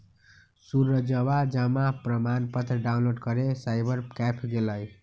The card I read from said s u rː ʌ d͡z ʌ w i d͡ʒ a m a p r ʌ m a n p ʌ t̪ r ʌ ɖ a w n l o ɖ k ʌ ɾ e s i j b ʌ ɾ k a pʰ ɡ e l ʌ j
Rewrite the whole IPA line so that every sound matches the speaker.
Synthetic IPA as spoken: s u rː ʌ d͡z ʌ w a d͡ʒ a m a p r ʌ m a n p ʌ t̪ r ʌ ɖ a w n l o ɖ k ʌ ɾ e s a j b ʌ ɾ k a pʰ ɡ e l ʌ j